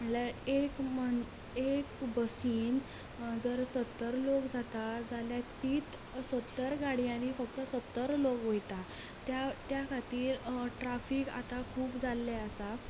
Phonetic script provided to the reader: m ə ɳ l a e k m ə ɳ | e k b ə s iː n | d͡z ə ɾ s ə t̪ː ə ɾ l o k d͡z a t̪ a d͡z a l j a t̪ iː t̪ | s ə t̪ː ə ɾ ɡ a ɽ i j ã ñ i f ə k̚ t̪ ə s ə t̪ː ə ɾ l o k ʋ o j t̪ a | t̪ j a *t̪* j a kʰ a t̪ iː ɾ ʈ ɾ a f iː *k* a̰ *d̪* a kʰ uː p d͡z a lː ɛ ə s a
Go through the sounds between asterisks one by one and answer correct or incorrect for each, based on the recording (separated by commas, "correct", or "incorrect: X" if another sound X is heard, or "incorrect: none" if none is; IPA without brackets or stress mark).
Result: correct, correct, incorrect: t̪